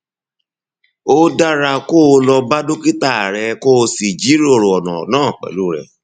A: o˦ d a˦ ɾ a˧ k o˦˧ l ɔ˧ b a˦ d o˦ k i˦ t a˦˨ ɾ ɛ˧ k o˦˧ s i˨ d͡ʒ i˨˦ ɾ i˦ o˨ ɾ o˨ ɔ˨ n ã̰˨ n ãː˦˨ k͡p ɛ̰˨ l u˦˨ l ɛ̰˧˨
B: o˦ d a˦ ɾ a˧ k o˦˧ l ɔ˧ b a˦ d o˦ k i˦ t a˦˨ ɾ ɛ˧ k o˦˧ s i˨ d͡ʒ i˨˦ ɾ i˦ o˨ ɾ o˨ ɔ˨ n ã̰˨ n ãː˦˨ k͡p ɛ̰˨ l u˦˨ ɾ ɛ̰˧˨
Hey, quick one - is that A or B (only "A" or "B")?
B